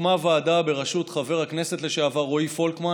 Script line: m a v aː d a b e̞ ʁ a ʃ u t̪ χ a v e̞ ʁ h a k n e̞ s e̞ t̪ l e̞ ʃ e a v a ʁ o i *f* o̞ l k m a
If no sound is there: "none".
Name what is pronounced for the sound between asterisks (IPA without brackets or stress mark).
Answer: f